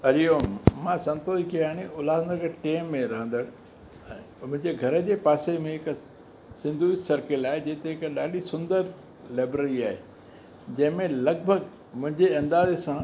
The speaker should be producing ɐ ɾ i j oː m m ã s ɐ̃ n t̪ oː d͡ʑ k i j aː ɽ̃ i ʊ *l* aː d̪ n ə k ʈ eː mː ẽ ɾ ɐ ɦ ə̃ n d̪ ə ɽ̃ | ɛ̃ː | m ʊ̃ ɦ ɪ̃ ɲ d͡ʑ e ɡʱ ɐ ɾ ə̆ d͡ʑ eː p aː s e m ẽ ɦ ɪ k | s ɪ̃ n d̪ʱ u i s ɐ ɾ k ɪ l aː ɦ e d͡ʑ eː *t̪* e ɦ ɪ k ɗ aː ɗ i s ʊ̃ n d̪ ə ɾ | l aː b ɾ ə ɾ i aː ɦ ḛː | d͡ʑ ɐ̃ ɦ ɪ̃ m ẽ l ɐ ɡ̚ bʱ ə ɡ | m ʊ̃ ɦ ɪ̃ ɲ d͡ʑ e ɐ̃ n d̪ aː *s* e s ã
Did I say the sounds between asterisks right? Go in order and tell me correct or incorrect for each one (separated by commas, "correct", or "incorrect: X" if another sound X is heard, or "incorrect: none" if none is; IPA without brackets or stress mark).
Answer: correct, correct, incorrect: z